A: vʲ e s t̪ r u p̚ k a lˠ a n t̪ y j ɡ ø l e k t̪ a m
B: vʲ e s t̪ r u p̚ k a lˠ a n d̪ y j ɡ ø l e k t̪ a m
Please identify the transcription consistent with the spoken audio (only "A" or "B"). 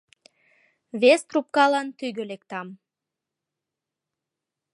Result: A